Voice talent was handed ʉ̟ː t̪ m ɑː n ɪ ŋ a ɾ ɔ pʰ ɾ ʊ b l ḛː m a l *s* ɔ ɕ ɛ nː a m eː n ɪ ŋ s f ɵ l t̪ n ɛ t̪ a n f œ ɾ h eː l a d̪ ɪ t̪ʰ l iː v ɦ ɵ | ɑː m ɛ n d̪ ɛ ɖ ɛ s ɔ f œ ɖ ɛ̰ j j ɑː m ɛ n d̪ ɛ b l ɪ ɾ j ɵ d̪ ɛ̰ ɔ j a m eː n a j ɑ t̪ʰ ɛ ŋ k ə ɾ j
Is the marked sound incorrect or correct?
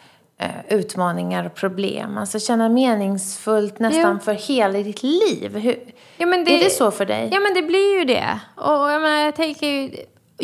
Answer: correct